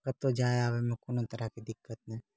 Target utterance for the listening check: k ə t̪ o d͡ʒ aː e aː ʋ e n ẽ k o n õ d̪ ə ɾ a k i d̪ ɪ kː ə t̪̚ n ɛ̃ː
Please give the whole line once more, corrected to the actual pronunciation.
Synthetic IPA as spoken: k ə t̪ o d͡ʒ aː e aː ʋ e m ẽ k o n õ t̪ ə ɾ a k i d̪ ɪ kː ə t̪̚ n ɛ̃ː